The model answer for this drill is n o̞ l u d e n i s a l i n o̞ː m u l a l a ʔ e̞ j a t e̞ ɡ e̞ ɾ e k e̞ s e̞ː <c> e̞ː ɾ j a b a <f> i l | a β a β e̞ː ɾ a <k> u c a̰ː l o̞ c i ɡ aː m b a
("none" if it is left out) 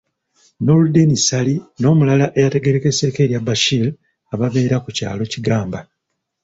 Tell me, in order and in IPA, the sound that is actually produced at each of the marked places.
k, ʃ, k

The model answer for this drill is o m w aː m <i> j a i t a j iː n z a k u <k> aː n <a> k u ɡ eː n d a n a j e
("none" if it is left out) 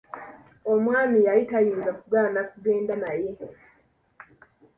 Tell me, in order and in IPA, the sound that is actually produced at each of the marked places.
i, ɡ, a

